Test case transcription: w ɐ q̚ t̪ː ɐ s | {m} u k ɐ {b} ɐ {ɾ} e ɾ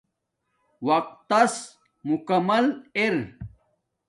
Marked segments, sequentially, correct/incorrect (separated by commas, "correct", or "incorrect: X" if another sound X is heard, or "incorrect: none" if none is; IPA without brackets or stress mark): correct, incorrect: m, incorrect: l